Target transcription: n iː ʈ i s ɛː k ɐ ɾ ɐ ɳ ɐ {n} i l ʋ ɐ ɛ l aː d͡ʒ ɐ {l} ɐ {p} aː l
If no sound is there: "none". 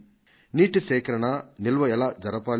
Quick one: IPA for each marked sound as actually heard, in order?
n, ɾ, p

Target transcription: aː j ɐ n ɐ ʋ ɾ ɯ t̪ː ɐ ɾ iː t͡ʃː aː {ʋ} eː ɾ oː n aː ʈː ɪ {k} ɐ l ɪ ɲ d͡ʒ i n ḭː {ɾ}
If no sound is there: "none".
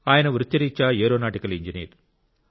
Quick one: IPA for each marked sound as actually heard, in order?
none, k, ɾ

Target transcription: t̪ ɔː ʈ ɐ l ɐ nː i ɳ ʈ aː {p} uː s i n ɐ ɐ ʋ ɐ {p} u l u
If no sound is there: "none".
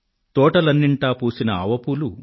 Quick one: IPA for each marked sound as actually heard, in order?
p, p

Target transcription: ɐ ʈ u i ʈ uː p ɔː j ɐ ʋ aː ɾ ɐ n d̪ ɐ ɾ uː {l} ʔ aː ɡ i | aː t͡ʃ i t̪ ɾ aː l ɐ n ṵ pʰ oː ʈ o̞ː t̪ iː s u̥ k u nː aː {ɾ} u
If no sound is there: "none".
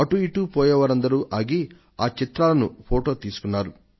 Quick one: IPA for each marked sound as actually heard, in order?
none, ɾ

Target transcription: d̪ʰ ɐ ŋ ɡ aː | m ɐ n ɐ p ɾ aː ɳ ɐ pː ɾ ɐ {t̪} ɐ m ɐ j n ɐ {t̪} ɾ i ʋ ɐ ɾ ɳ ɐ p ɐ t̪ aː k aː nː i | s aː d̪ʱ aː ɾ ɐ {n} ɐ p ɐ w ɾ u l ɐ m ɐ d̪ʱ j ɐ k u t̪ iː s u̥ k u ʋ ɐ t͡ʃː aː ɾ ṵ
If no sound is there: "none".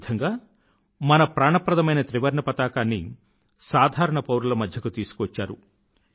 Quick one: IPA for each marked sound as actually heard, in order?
d̪, t̪, ɳ

